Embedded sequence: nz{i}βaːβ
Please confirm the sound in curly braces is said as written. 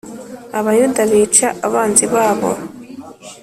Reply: yes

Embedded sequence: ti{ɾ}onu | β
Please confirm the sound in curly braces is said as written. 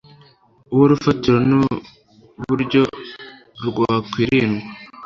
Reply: yes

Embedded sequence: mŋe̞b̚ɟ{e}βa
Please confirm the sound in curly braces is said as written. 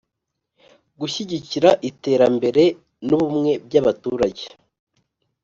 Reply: no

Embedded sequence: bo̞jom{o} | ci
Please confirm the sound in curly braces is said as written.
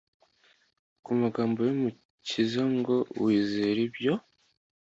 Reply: no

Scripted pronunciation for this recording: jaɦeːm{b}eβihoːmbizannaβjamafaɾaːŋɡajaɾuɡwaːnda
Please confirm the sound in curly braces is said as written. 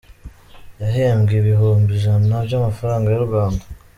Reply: no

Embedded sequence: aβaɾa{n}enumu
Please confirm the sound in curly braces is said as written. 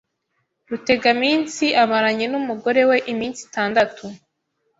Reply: no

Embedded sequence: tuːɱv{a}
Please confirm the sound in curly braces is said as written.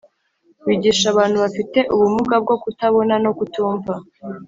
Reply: yes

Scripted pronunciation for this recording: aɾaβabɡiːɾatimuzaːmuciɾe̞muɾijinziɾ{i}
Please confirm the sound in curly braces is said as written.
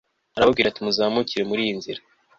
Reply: no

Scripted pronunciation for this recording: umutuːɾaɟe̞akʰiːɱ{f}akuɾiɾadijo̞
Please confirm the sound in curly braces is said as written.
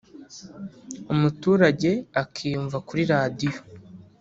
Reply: no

